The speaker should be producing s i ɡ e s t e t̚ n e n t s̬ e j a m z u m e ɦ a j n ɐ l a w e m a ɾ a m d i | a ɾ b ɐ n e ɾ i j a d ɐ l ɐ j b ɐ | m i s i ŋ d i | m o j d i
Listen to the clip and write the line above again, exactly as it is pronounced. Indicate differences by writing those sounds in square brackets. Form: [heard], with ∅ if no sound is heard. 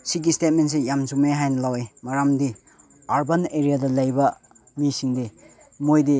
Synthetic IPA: s i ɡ [i] s t e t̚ [m] e n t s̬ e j a m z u m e ɦ a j n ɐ l a w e m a ɾ a m d i | a ɾ b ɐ n e ɾ i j a d ɐ l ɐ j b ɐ | m i s i ŋ d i | m o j d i